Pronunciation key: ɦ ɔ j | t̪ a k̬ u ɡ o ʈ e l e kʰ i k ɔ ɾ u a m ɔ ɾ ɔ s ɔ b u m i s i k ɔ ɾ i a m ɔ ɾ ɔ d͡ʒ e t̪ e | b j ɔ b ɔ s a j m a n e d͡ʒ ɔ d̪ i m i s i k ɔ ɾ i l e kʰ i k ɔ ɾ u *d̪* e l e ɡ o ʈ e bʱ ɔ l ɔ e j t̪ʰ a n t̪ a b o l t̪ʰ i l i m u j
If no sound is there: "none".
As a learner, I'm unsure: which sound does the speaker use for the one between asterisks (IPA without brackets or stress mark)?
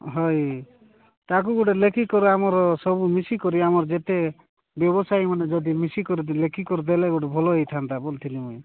d̪